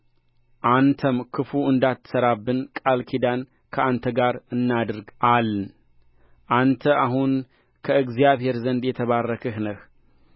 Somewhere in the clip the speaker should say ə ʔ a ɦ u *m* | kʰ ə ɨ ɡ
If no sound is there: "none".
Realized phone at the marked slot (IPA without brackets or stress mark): n